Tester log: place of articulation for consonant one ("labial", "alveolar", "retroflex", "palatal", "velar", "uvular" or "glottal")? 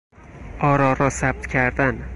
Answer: alveolar